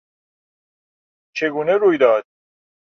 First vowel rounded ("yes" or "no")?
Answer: no